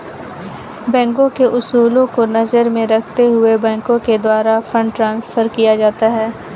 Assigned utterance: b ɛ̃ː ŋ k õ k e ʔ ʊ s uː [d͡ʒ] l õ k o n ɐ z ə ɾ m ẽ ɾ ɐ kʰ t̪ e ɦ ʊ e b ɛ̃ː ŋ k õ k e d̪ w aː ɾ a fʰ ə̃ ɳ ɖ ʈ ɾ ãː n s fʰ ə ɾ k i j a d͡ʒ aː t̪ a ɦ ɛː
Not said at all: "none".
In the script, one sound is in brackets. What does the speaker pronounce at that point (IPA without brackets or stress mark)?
none